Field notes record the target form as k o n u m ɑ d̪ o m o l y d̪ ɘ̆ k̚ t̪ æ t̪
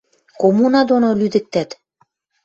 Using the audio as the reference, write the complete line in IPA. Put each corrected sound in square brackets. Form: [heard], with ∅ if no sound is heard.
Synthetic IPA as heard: k o [m] u [n] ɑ d̪ o [n] o l y d̪ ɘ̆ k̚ t̪ æ t̪